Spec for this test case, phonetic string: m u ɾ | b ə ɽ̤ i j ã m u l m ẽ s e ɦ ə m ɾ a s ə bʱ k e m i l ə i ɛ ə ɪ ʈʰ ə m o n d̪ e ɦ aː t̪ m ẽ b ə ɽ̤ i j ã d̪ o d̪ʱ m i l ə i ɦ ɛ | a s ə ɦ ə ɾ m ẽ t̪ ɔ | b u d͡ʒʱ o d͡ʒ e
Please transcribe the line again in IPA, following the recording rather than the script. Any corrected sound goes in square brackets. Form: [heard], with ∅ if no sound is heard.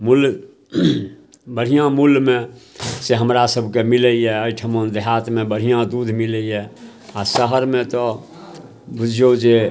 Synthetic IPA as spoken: m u [l] | b ə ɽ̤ i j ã m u l m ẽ s e ɦ ə m ɾ a s ə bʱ k e m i l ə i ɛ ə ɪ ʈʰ ə m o n d̪ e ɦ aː t̪ m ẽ b ə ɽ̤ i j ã d̪ [u] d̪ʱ m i l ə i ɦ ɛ | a s ə ɦ ə ɾ m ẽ t̪ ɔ | b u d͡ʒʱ o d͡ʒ e